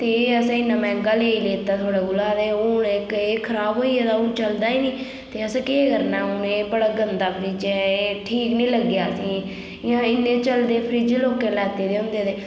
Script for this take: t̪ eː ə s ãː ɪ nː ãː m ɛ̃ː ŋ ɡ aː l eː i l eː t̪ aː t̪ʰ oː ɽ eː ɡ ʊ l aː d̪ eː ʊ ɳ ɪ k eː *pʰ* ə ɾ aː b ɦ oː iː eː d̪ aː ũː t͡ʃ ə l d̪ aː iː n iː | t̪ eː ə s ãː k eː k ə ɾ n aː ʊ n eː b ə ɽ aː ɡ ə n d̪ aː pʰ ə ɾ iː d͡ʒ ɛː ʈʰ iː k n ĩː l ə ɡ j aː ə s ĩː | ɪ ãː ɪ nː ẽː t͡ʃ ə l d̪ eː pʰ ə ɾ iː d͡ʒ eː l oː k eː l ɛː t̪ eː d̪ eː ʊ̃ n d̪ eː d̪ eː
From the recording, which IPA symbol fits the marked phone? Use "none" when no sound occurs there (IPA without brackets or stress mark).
kʰ